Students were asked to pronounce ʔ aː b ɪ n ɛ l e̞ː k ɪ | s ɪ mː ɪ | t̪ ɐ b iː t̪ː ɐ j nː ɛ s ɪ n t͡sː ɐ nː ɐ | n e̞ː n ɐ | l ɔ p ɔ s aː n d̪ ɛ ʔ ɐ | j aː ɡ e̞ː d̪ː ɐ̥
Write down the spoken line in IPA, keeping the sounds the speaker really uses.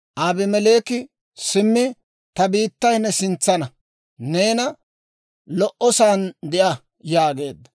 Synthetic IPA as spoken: ʔ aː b ɪ m ɛ l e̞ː k ɪ | s ɪ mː ɪ | t̪ ɐ b iː t̪ː ɐ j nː ɛ s ɪ n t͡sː ɐ n ɐ | n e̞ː n ɐ | l ɔ ʔ ɔ s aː n d̪ ɛ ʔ ɐ | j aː ɡ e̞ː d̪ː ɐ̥